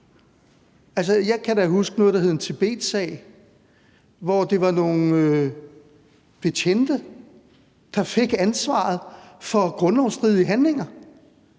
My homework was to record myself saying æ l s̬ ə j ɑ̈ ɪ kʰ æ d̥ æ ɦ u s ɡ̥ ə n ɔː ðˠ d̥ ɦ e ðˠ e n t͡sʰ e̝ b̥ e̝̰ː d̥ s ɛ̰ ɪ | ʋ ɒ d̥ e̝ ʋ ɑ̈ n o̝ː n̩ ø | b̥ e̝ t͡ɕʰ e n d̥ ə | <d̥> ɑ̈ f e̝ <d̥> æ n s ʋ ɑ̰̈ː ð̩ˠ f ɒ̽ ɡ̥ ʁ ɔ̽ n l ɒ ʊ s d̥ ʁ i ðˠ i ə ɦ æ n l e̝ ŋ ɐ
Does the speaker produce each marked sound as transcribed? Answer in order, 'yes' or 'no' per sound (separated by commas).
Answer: yes, no